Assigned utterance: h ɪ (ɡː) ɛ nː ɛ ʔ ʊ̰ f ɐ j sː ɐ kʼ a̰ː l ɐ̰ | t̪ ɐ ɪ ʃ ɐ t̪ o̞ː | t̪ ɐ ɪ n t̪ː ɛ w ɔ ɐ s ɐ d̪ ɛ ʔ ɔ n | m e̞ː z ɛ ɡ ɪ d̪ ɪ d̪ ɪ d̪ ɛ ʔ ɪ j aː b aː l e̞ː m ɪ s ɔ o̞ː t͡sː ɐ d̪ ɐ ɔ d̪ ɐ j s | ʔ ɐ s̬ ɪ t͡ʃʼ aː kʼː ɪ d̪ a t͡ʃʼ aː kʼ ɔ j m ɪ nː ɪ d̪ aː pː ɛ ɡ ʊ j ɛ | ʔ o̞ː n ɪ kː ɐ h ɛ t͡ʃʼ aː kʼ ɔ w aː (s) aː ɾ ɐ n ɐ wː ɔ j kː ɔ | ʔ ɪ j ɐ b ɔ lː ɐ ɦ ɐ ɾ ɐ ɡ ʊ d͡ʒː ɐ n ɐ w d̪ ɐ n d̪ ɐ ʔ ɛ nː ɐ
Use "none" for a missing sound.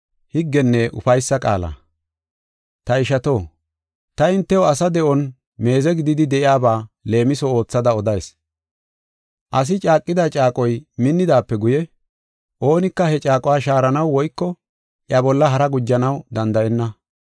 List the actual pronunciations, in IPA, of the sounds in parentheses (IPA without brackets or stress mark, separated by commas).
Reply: ɡː, ʃ